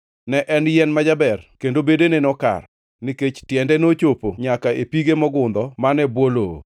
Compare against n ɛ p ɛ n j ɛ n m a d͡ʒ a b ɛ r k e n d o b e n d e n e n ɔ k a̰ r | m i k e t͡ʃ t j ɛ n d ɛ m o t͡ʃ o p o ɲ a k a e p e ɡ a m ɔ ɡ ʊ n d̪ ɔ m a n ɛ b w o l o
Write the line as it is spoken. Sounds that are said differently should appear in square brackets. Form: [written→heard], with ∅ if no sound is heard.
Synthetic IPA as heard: n ɛ [p→ʔ] ɛ n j ɛ n m a d͡ʒ a b ɛ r k e n d o b e [n→∅] d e n e n ɔ k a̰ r | [m→n] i k e t͡ʃ t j ɛ n d ɛ [m→n] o t͡ʃ o p o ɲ a k a e p [e→i] ɡ [a→e] m ɔ ɡ ʊ n d̪ ɔ m a n ɛ b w o l o

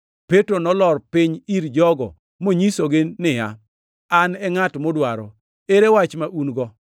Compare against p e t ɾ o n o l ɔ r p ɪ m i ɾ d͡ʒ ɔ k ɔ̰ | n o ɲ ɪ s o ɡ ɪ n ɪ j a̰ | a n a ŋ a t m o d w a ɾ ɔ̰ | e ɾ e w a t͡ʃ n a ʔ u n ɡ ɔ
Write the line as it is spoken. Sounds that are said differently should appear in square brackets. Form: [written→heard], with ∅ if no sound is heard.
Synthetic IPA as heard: p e t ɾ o n [o→ɔ] l ɔ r p ɪ [m→ɲ] i ɾ d͡ʒ ɔ [k→ɡ] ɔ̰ | [n→m] o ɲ [ɪ→i] s o ɡ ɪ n ɪ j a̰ | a n [a→ɛ] ŋ a t m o d w a ɾ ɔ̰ | e ɾ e w a t͡ʃ [n→m] a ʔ u n ɡ ɔ

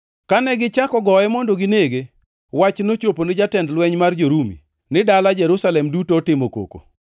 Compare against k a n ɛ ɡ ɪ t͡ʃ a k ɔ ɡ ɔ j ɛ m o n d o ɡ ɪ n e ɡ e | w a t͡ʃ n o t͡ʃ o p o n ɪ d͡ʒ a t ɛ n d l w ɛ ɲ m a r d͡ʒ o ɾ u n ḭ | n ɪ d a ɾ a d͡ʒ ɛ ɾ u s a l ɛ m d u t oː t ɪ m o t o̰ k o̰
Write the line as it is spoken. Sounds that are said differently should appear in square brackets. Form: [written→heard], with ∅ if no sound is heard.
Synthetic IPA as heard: k a n ɛ ɡ ɪ t͡ʃ a k ɔ ɡ ɔ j ɛ m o n d o ɡ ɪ n e ɡ e | w a t͡ʃ n o t͡ʃ o p o n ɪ d͡ʒ a t ɛ n d l w ɛ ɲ m a r d͡ʒ o ɾ u [n→m] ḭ | n ɪ d a [ɾ→l] a d͡ʒ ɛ ɾ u s a l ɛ m d u t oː t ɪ m o [t→k] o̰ k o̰

